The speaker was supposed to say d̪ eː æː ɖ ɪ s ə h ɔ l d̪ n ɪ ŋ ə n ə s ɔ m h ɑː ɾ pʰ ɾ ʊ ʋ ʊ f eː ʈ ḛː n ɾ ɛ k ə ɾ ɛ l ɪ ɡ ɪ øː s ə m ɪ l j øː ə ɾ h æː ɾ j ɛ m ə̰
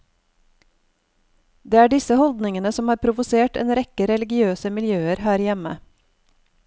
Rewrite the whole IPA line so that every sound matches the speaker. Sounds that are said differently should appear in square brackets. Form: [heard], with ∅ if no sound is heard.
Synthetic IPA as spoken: d̪ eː æː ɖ ɪ s ə h ɔ l d̪ n ɪ ŋ ə n ə s ɔ m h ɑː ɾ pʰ ɾ ʊ ʋ ʊ [s] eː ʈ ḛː n ɾ ɛ k ə ɾ ɛ l ɪ ɡ ɪ øː s ə m ɪ l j øː ə ɾ h æː ɾ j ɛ m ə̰